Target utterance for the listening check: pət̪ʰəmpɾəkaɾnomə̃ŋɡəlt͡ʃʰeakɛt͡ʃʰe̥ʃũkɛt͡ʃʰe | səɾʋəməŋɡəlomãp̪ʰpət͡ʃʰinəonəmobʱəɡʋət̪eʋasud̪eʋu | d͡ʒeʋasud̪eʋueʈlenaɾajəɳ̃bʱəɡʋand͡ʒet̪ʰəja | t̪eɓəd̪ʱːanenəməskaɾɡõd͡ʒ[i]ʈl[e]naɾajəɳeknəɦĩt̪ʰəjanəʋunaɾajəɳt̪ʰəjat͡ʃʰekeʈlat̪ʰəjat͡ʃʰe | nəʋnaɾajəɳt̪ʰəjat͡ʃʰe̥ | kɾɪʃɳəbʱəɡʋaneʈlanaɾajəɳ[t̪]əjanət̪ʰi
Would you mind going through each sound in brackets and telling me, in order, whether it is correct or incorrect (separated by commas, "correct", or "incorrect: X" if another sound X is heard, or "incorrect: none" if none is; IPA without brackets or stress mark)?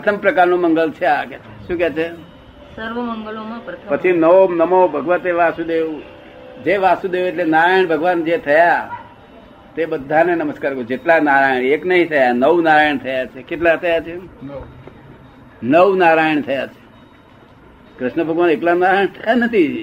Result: incorrect: e, incorrect: a, incorrect: t̪ʰ